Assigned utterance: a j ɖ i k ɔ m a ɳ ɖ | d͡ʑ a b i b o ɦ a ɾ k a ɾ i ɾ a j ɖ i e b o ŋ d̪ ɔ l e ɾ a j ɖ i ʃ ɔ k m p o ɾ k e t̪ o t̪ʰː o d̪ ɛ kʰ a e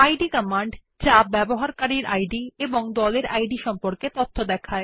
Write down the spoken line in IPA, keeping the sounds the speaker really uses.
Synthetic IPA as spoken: a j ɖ i k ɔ m a ɳ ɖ | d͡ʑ a b ɛ b o ɦ a ɾ k a ɾ i ɾ a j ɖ i e b o ŋ d̪ ɔ l e ɾ a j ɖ i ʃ ɔ m p o ɾ k e t̪ o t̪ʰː o d̪ ɛ kʰ a e